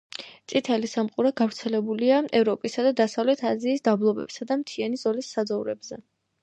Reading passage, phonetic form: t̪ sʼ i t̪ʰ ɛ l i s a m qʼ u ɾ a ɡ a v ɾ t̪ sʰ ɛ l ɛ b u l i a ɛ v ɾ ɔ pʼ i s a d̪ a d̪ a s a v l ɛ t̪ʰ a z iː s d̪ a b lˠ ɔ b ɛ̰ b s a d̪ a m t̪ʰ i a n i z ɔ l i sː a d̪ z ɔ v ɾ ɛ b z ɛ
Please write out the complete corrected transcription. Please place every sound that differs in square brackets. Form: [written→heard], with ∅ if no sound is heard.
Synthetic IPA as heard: t̪ sʼ i t̪ʰ ɛ l i s a m qʼ u ɾ a ɡ a v ɾ t̪ sʰ ɛ l ɛ b u l i a ɛ v ɾ ɔ pʼ i s a d̪ a d̪ a s a v l ɛ t̪ʰ a z iː s d̪ a b lˠ ɔ b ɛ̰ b s a d̪ a m t̪ʰ i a n i z ɔ l i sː a d̪ z ɔ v ɾ ɛ b z ɛ